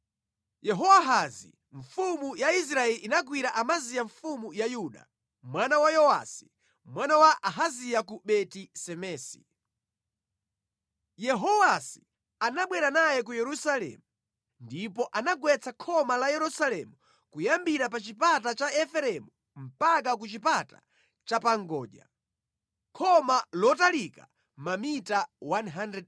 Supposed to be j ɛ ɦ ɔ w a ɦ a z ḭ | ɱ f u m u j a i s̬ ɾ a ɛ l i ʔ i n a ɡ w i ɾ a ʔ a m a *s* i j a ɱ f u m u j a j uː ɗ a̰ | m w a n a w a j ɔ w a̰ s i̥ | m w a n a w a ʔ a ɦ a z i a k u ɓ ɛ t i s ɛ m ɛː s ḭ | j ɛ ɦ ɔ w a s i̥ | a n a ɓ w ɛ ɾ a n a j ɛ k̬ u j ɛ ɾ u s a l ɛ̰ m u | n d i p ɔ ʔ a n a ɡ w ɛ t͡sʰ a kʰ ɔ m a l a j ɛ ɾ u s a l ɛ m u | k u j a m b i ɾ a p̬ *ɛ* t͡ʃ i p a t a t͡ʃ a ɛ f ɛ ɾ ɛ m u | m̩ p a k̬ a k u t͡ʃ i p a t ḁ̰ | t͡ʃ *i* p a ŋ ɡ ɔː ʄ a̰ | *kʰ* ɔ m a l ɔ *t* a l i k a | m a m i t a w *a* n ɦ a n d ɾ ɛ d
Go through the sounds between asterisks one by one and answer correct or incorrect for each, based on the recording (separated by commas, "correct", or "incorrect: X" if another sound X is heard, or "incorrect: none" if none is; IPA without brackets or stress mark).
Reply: incorrect: z, incorrect: a, incorrect: a, correct, correct, correct